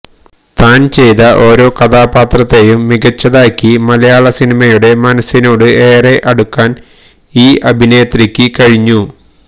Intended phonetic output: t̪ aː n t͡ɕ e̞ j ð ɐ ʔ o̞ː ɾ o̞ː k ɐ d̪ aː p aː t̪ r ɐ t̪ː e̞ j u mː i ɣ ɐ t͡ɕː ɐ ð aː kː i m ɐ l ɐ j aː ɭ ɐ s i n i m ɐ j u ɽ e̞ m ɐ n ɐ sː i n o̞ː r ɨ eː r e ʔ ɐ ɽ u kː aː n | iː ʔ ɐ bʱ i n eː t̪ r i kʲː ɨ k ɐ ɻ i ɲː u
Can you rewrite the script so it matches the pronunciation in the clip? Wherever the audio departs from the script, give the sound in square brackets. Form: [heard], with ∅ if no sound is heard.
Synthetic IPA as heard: t̪ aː n t͡ɕ e̞ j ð ɐ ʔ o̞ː ɾ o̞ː k ɐ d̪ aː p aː t̪ r ɐ t̪ː e̞ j u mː i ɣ ɐ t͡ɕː ɐ ð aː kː i m ɐ l ɐ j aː ɭ ɐ s i n i m ɐ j u ɽ e̞ m ɐ n ɐ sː i n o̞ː [ɽ] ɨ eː r e ʔ ɐ ɽ u kː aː n | iː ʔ ɐ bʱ i n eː t̪ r i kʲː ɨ k ɐ ɻ i ɲː u